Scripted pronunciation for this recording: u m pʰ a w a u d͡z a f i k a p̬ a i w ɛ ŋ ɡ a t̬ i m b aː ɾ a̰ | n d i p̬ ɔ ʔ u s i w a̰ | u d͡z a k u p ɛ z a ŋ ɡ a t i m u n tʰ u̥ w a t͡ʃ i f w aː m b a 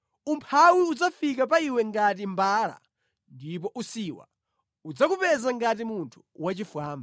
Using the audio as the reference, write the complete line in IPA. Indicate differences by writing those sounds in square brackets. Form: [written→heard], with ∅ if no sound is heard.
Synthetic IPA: u m pʰ a w [a→i] u d͡z a f i k a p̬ a i w ɛ ŋ ɡ a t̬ i m b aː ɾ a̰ | n d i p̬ ɔ ʔ u s i w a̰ | u d͡z a k u p ɛ z a ŋ ɡ a t i m u n tʰ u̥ w a t͡ʃ i f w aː m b a